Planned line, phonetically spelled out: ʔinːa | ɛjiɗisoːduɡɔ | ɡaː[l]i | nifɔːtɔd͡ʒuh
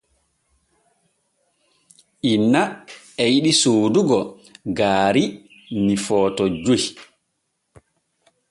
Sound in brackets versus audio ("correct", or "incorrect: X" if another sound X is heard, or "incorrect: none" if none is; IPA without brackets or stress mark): incorrect: ɾ